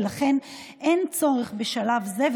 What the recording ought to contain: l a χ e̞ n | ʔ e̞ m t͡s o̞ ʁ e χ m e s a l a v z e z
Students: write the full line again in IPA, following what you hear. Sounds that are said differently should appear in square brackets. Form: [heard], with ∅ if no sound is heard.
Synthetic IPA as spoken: l a χ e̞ n | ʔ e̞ [n] t͡s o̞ ʁ e χ [b] e [ʃ] a l a v z e [v]